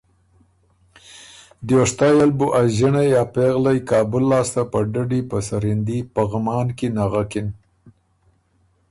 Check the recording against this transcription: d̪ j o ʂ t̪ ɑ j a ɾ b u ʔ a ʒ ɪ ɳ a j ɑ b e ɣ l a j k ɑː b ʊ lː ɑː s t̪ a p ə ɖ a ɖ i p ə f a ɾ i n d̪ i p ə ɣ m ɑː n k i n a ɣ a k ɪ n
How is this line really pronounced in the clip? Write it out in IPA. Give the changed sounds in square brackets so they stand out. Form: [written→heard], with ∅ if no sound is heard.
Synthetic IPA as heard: d̪ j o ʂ t̪ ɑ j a [ɾ→l] b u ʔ a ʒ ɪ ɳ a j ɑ [b→p] e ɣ l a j k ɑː b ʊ lː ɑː s t̪ a p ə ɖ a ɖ i p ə [f→s] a ɾ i n d̪ i p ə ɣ m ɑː n k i n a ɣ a k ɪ n